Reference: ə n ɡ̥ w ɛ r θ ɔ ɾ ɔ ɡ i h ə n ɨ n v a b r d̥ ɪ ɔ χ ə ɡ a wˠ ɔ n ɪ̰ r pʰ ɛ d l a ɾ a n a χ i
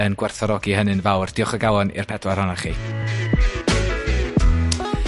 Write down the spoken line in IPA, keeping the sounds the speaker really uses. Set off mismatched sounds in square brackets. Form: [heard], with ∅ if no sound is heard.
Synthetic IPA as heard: ə n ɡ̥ w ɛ r θ ɔ ɾ ɔ ɡ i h ə n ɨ n v a [w] r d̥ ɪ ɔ χ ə ɡ a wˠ ɔ n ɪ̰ r pʰ ɛ d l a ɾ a n a χ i